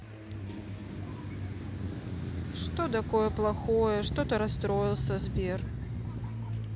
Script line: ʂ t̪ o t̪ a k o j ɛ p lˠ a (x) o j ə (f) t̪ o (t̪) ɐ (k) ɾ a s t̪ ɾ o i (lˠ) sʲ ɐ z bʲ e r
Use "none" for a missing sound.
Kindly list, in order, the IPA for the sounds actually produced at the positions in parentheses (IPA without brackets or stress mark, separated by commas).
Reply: x, ʂ, t̪, none, lˠ